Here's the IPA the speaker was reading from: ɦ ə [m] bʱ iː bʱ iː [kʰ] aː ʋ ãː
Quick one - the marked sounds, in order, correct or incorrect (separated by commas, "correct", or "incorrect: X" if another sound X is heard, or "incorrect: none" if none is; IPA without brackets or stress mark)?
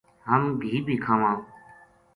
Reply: correct, correct